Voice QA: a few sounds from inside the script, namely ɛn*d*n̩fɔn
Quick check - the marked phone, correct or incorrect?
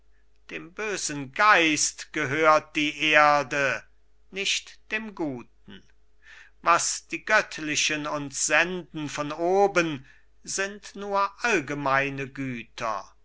correct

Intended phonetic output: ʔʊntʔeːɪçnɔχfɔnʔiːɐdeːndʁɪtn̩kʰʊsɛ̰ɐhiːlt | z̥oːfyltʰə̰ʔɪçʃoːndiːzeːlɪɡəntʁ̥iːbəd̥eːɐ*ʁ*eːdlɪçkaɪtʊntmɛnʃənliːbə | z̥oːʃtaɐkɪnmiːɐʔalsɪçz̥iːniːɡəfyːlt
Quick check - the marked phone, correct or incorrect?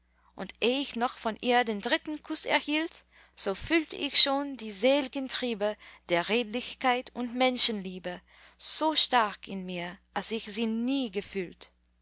correct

